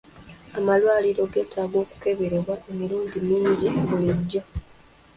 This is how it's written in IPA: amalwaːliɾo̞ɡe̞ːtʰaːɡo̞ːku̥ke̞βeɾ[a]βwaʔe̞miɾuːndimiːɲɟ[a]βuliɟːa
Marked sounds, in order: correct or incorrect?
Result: incorrect: e, incorrect: i

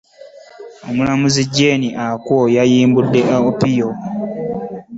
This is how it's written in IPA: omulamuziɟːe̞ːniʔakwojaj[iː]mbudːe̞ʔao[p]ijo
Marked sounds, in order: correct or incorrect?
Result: correct, correct

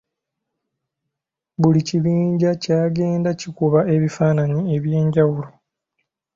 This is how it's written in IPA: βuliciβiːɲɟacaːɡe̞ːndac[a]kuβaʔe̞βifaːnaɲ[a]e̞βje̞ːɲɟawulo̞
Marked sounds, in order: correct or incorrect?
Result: incorrect: i, incorrect: i

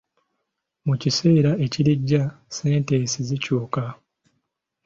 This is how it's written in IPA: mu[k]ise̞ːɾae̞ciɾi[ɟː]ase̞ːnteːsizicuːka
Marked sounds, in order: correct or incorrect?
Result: incorrect: c, correct

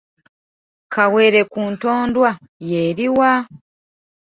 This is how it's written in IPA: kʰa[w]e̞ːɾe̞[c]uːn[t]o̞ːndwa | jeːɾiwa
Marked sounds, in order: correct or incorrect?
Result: correct, incorrect: k, correct

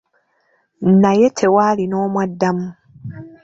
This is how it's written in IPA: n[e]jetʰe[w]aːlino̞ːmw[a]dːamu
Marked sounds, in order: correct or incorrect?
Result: incorrect: a, correct, correct

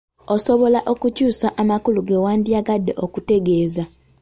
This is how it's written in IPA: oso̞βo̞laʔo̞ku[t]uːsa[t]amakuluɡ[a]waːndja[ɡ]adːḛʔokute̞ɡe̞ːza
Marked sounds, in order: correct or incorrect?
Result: incorrect: c, incorrect: ʔ, incorrect: e, correct

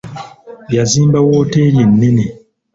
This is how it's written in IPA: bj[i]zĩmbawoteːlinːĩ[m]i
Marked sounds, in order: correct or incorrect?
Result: incorrect: a, incorrect: n

